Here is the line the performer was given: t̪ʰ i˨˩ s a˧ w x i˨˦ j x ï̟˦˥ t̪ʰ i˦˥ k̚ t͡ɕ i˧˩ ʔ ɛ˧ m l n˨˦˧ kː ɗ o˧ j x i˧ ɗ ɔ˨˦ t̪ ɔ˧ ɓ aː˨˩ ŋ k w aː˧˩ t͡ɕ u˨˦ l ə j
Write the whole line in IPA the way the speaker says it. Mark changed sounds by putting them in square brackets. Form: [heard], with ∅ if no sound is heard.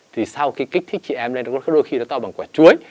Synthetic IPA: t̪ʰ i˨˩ s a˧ w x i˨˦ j [k] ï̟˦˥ t̪ʰ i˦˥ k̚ t͡ɕ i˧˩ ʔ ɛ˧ m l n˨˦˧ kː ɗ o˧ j x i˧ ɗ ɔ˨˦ t̪ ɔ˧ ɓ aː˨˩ ŋ k w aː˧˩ t͡ɕ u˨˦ [∅] ə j